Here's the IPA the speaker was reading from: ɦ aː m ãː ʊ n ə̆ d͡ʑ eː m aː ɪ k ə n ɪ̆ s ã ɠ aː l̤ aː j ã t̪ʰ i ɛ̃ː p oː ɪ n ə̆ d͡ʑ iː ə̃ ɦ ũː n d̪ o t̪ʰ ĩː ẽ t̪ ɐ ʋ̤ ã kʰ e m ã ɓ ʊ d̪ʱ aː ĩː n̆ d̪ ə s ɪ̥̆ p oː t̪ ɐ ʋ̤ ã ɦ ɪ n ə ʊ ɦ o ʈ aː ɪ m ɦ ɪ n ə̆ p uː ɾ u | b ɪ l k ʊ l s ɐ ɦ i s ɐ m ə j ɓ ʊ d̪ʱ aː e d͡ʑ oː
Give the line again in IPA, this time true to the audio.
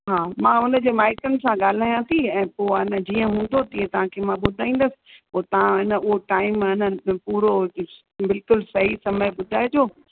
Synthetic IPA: ɦ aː m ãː ʊ n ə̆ d͡ʑ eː m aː ɪ k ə n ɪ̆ s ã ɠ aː l̤ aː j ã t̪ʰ i ɛ̃ː p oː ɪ n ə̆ d͡ʑ iː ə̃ ɦ ũː n d̪ o t̪ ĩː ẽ t̪ ɐ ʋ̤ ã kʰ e m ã ɓ ʊ d̪ʱ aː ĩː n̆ d̪ ə s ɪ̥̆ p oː t̪ ɐ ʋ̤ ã ɦ ɪ n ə ʊ ɦ o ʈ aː ɪ m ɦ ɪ n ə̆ p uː ɾ o | b ɪ l k ʊ l s ɐ ɦ i s ɐ m ə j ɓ ʊ d̪ʱ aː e d͡ʑ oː